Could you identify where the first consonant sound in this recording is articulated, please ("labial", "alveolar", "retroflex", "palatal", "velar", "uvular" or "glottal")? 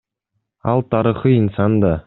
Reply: alveolar